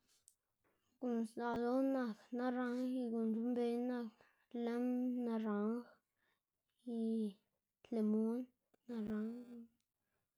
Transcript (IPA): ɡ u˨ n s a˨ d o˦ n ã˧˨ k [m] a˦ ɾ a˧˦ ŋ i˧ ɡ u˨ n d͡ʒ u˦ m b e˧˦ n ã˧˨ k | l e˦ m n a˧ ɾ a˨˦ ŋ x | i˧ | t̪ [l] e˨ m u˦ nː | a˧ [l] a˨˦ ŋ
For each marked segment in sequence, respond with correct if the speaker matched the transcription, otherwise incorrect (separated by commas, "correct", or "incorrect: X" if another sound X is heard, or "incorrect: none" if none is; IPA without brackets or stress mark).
incorrect: n, correct, incorrect: ɾ